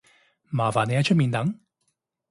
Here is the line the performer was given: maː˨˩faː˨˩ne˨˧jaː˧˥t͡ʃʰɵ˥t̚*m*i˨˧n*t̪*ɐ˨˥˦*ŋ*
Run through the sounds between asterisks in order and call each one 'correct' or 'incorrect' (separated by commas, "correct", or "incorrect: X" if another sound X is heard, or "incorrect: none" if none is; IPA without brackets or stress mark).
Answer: correct, correct, correct